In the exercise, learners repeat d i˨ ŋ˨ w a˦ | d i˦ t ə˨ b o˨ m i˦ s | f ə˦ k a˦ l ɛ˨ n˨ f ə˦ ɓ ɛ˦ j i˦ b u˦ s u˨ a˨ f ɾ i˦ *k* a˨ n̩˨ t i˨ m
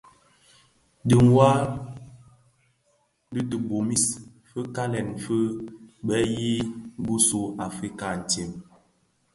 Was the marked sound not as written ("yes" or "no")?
no